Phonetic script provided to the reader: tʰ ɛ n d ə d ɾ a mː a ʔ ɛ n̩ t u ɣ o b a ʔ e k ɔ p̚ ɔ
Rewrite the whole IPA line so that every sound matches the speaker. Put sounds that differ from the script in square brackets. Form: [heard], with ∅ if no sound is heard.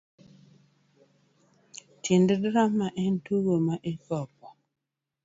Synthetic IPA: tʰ [i] n d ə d ɾ a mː a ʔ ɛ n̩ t u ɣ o [m] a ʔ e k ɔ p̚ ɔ